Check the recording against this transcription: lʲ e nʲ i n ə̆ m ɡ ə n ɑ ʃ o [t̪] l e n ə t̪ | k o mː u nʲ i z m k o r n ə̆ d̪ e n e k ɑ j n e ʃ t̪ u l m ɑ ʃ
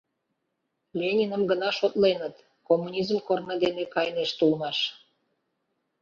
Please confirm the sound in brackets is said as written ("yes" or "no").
yes